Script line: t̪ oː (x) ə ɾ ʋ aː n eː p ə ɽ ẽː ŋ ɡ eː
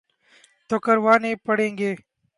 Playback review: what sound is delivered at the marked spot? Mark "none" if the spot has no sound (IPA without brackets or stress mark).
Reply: k